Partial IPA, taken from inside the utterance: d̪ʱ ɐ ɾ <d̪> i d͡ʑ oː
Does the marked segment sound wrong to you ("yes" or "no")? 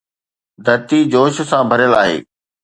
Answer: yes